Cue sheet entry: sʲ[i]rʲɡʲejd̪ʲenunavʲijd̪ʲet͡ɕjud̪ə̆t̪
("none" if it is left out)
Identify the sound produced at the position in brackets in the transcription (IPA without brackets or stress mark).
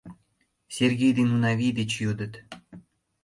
e